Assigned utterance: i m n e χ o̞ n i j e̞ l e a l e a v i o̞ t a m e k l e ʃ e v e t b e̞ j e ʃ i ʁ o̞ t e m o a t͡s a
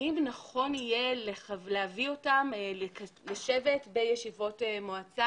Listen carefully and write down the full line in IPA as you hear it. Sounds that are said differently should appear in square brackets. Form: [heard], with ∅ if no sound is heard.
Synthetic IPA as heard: i m n [a] χ o̞ n i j e̞ l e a l e a v i o̞ t a m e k l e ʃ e v e t b e̞ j e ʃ i [v] o̞ t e m o a t͡s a